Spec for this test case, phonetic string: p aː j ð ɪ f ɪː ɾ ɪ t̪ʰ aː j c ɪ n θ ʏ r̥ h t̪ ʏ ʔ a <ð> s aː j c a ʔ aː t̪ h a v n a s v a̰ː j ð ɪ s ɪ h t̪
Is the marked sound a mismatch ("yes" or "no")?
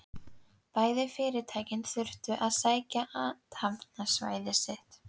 no